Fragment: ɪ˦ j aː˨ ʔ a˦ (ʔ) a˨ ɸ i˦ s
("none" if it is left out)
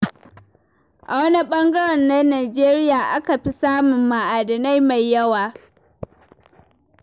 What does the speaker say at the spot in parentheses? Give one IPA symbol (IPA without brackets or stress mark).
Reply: k